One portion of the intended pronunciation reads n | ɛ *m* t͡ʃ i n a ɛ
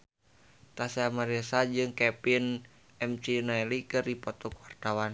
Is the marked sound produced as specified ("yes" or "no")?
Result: yes